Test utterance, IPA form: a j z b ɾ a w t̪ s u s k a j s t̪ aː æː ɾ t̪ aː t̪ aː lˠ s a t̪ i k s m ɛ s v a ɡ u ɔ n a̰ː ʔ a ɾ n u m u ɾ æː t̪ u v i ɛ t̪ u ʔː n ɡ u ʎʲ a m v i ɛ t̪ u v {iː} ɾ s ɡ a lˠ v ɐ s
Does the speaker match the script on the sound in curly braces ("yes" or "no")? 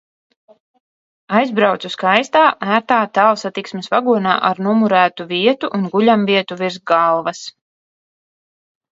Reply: no